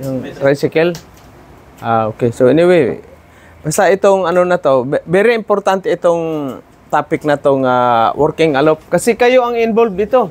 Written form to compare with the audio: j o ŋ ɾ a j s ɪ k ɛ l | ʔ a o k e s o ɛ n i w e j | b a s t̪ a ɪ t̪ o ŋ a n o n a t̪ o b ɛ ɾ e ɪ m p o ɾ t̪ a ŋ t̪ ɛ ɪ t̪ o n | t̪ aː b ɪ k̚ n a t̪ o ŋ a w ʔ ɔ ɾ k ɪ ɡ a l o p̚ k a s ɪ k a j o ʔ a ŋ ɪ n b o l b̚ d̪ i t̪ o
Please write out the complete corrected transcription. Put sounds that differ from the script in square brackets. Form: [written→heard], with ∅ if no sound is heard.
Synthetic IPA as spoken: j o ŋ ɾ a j s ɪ k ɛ l | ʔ a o k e s o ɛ n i w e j | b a s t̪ a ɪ t̪ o ŋ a n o n a t̪ o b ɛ ɾ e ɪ m p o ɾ t̪ a [ŋ→n] t̪ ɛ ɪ t̪ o [n→ŋ] | t̪ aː [b→p] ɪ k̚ n a t̪ o ŋ a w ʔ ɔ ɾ k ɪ [ɡ→ŋ] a l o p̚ k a s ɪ k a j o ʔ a ŋ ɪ n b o l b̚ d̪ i t̪ o